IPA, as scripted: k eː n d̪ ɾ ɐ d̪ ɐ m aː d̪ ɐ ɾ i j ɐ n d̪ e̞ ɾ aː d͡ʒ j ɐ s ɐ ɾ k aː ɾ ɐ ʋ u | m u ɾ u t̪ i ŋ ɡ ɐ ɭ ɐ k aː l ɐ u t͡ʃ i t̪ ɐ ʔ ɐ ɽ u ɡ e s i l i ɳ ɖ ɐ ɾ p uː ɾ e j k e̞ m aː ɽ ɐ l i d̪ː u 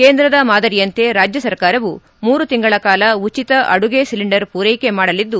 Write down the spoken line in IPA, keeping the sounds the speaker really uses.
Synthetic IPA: k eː n d̪ ɾ ɐ d̪ ɐ m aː d̪ ɐ ɾ i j ɐ n t̪ e̞ ɾ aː d͡ʒ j ɐ s ɐ ɾ k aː ɾ ɐ ʋ u | m uː ɾ u t̪ i ŋ ɡ ɐ ɭ ɐ k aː l ɐ u t͡ʃ i t̪ ɐ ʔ ɐ ɽ u ɡ e s i l i ɳ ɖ ɐ ɾ p uː ɾ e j k e̞ m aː ɽ ɐ l i d̪ː u